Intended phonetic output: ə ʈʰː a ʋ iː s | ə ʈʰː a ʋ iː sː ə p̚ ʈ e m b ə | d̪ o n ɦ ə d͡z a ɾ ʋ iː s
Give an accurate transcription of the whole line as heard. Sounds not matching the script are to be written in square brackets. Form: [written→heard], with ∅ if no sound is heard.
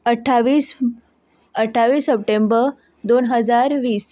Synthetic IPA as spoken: ə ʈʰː a ʋ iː s | ə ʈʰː a ʋ iː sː ə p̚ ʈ e m b ə | d̪ o n ɦ ə d͡z a ɾ ʋ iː s